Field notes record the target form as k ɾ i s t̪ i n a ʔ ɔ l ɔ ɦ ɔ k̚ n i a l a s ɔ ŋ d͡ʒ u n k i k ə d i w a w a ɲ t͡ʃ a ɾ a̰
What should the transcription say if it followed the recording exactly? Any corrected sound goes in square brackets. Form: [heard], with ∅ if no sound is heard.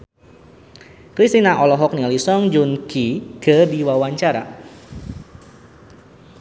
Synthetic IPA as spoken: k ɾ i s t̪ i n a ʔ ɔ l ɔ ɦ ɔ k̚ n i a l [i] s ɔ ŋ d͡ʒ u n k i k ə d i w a w a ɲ t͡ʃ a ɾ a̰